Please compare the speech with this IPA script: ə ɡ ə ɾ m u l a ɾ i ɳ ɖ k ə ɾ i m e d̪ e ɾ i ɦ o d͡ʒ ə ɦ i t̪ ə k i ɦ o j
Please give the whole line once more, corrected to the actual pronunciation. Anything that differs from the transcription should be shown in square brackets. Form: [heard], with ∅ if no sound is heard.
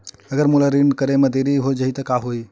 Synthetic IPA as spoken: ə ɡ ə ɾ m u l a ɾ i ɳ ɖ k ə ɾ [e] m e d̪ e ɾ i ɦ o d͡ʒ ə ɦ i t̪ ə k [a] ɦ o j